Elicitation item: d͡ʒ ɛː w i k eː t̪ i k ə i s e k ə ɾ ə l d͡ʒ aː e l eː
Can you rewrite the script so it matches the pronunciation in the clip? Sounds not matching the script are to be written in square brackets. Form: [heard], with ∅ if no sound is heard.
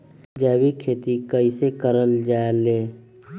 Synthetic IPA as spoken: d͡ʒ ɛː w i [kʰ] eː t̪ i k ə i s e k ə ɾ ə l d͡ʒ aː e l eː